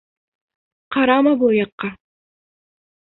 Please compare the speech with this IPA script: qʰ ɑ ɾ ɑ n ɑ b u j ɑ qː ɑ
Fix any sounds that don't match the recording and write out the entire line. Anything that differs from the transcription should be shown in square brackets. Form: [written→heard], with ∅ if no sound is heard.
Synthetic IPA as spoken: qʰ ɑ ɾ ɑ [n→m] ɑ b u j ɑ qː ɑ